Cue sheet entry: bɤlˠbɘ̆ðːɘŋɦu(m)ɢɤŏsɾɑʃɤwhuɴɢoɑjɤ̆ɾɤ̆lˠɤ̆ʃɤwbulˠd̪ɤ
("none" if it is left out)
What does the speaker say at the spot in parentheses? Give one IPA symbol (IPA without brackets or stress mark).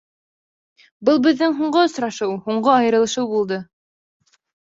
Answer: ɴ